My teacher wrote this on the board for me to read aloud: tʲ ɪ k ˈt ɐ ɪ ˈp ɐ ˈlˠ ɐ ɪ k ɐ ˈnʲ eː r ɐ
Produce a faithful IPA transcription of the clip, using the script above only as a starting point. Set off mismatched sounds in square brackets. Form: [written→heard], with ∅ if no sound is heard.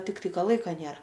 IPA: tʲ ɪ k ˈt ɐ ɪ [ˈp→ˈk] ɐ ˈlˠ ɐ ɪ k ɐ ˈnʲ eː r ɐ